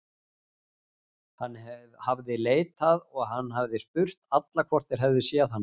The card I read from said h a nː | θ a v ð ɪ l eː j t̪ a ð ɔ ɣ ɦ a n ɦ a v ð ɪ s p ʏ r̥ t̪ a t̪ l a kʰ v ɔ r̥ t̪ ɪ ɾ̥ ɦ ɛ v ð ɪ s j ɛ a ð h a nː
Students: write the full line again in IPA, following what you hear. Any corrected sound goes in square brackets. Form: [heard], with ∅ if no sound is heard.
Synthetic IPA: h a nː | [h] a v ð ɪ l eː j t̪ a ð ɔ ɣ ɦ a [nː] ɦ a v ð ɪ s p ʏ r̥ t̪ a t̪ l a kʰ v ɔ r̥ t̪ ɪ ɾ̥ ɦ ɛ v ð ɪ s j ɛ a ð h a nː